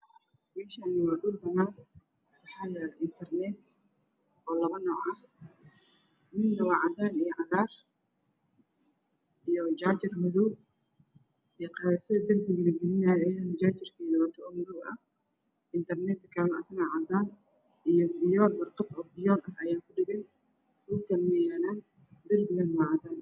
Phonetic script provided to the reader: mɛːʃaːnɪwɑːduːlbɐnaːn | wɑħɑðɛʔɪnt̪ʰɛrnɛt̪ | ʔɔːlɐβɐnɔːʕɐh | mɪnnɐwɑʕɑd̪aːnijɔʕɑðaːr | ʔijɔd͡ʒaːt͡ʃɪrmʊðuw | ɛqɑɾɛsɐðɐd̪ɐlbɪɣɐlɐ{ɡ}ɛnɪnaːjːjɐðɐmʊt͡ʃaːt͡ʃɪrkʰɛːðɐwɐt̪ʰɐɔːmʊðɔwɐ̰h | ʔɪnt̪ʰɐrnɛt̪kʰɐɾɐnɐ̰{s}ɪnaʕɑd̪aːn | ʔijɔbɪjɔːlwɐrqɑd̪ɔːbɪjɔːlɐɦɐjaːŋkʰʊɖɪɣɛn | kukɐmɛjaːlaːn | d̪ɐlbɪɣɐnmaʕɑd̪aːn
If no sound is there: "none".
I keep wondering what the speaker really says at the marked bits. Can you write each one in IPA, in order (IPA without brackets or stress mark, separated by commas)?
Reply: ɡ, s